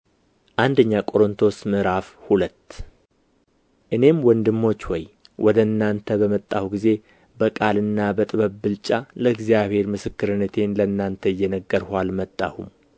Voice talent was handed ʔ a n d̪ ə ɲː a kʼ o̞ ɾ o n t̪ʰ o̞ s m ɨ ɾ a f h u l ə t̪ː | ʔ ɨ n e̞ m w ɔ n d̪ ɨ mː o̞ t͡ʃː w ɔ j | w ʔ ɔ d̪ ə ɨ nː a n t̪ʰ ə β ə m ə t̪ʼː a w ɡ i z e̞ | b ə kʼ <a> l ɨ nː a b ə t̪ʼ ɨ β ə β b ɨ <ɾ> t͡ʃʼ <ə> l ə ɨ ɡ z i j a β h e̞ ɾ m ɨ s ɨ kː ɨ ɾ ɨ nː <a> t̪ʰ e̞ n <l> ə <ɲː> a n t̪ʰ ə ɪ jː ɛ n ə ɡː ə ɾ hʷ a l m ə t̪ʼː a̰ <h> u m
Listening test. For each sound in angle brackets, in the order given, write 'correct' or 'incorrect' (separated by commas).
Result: correct, incorrect, incorrect, incorrect, correct, incorrect, correct